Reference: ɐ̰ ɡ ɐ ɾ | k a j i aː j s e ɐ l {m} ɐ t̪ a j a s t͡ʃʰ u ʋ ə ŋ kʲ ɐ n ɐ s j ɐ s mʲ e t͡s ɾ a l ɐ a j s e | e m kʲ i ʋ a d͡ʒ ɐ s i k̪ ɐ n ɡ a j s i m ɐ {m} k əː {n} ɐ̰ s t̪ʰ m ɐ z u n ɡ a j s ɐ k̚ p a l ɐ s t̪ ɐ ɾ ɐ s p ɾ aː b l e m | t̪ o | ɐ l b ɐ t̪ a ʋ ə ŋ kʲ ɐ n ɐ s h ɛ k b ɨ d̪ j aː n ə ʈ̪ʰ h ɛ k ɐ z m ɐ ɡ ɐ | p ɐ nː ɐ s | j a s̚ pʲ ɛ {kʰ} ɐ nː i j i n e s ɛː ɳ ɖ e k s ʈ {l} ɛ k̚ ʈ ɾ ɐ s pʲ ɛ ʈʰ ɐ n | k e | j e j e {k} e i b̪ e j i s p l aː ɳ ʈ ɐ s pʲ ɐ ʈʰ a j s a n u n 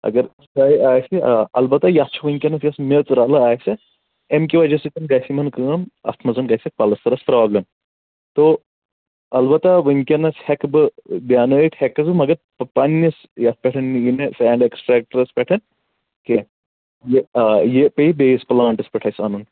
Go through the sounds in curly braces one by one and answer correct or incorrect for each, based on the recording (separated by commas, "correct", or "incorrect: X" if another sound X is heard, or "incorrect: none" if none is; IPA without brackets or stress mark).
incorrect: b, incorrect: n, incorrect: m, incorrect: ʈʰ, incorrect: ɾ, incorrect: p